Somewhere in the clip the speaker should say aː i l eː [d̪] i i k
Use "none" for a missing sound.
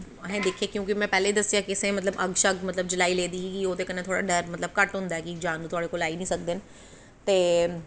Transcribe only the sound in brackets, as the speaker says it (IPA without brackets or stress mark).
d̪